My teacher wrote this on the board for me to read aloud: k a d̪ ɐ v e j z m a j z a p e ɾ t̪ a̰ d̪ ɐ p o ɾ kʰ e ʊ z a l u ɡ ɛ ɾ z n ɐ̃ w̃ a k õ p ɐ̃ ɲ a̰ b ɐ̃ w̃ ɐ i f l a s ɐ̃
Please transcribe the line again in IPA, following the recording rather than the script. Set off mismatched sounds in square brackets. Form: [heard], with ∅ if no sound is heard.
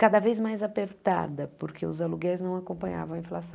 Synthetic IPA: k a d̪ ɐ v e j z m a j z a p e ɾ t̪ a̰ d̪ ɐ p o ɾ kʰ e ʊ z a l u ɡ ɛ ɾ z n ɐ̃ w̃ a k õ p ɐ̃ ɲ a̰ [v] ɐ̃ w̃ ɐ [ĩ] f l a s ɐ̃

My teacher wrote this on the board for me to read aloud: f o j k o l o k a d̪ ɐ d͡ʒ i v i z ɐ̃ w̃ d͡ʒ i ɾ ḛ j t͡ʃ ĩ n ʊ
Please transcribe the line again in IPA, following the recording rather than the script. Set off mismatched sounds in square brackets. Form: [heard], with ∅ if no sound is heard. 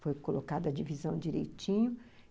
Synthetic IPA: f o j k o l o k a d̪ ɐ d͡ʒ i v i z ɐ̃ w̃ d͡ʒ i ɾ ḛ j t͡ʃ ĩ [ɲ] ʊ

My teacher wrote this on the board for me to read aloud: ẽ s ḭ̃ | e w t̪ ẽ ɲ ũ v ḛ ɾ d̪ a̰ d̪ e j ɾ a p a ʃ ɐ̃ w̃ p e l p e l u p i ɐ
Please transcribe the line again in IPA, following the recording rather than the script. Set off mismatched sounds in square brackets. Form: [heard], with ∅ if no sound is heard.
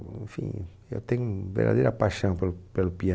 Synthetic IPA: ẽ [f] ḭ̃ | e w t̪ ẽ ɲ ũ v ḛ ɾ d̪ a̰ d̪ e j ɾ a p a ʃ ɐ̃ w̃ p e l p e l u p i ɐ

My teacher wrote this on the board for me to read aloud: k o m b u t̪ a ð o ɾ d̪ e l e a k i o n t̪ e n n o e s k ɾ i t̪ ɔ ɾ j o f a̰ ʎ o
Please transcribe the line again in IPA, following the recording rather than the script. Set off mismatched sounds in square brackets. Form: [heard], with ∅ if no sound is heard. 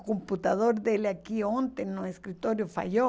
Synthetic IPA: k o m [p] u t̪ a ð o ɾ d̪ e l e a k i o n t̪ e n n o e s k ɾ i t̪ [o] ɾ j o f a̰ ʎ o

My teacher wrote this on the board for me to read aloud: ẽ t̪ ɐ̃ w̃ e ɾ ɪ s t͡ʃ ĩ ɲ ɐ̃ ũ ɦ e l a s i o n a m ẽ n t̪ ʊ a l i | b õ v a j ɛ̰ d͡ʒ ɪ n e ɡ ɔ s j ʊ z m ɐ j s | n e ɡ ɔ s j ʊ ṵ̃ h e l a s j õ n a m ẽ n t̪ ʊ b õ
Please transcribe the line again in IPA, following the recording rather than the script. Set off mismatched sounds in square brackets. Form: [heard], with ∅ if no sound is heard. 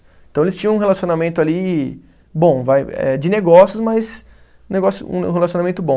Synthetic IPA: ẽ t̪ ɐ̃ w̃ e [l] ɪ s t͡ʃ ĩ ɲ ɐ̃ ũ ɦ e l a s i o n a m ẽ n t̪ ʊ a l i | b õ v a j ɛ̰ d͡ʒ ɪ n e ɡ ɔ s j ʊ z m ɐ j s | n e ɡ ɔ s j ʊ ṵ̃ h e l a s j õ n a m ẽ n t̪ ʊ b õ

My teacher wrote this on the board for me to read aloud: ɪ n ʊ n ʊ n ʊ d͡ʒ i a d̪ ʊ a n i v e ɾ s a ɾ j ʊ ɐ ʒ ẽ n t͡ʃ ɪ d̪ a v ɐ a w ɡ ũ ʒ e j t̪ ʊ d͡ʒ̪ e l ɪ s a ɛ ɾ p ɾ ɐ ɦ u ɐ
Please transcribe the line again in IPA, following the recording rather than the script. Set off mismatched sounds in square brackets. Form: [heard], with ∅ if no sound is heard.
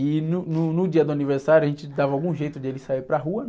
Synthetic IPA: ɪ n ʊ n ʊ n ʊ d͡ʒ i [ɐ] d̪ ʊ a n i v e ɾ s a ɾ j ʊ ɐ ʒ ẽ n t͡ʃ ɪ d̪ a v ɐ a w ɡ ũ ʒ e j t̪ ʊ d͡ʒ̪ e l ɪ s a [i] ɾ p ɾ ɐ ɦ u ɐ

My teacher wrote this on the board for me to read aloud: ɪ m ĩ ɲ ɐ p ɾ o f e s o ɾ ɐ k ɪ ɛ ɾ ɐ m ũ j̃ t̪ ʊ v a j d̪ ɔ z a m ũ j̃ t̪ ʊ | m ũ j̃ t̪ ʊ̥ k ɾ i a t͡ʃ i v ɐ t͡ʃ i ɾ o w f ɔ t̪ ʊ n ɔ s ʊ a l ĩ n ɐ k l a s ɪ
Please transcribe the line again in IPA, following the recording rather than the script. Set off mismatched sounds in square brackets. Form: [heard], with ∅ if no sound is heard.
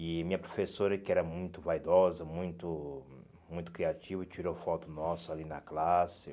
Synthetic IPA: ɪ m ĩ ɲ ɐ p ɾ o f e s o ɾ ɐ k ɪ ɛ ɾ ɐ m ũ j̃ t̪ ʊ v a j d̪ ɔ z [ɐ] m ũ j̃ t̪ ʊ | m ũ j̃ t̪ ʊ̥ k ɾ i a t͡ʃ i v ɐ t͡ʃ i ɾ o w f ɔ t̪ ʊ n ɔ s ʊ a l [i] n ɐ k l a s ɪ

